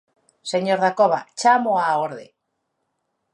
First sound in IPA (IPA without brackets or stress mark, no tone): s